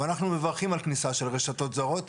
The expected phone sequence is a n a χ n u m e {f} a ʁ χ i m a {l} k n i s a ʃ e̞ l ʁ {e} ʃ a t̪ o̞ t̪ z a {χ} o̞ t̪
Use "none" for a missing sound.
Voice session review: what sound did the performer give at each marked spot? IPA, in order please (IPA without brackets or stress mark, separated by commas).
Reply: v, l, e, ʁ